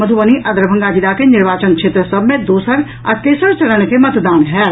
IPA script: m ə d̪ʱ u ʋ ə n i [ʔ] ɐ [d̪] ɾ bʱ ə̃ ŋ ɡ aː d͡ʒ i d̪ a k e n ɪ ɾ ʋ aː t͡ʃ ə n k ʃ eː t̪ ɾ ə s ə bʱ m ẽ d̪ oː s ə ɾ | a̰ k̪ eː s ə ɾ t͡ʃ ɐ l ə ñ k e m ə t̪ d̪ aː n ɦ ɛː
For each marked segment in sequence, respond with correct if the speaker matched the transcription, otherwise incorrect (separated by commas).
correct, correct